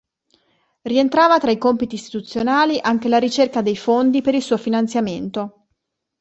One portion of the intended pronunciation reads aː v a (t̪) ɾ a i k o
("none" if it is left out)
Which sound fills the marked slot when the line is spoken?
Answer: t̪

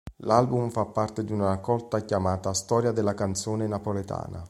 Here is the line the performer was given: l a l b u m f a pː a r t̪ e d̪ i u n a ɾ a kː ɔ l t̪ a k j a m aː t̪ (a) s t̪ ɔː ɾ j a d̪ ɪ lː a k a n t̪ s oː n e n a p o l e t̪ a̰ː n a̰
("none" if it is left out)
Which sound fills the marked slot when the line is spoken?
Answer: a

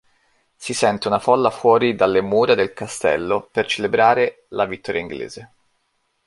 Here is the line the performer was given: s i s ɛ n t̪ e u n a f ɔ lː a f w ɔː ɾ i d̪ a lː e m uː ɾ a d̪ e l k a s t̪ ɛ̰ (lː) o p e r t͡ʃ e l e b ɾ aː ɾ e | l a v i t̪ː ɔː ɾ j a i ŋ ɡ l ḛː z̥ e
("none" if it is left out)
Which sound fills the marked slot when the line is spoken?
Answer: lː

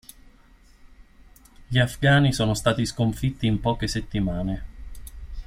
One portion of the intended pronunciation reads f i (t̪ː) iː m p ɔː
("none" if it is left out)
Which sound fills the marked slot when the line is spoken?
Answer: t̪ː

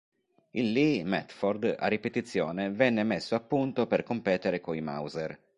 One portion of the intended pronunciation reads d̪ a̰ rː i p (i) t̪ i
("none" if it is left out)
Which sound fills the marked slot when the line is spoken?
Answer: e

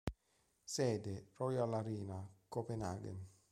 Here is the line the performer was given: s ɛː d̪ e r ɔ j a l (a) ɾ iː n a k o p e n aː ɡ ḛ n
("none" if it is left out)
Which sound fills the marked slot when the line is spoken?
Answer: a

